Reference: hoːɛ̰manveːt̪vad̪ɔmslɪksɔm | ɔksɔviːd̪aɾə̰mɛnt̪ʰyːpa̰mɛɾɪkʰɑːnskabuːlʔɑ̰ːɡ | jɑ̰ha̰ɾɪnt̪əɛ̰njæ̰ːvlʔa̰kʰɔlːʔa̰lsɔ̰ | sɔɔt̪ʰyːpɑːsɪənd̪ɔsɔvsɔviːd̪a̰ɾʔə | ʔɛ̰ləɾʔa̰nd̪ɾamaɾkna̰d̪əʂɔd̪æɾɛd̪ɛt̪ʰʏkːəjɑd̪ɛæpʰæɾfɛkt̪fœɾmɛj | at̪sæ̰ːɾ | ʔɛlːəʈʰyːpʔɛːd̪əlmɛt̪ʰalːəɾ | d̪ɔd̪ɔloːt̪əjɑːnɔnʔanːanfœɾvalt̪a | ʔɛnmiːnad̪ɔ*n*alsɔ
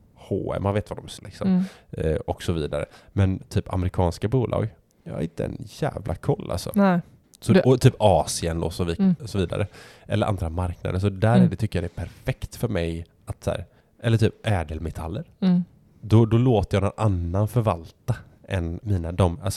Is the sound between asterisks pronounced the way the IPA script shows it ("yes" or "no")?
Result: no